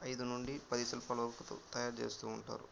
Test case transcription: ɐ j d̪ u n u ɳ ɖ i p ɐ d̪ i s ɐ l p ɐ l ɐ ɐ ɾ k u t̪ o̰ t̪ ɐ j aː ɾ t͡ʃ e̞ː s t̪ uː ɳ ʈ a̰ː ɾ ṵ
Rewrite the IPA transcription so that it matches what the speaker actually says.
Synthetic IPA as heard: ɐ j d̪ u n u ɳ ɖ i p ɐ d̪ i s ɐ l p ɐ l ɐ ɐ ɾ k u t̪ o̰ t̪ ɐ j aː ɾ t͡ʃ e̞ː s t̪ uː ɳ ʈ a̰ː ɾ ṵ